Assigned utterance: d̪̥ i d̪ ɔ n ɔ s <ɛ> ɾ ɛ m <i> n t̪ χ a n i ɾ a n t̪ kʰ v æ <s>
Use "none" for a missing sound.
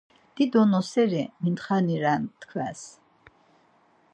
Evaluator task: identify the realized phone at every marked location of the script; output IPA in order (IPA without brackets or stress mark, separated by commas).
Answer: ɛ, i, s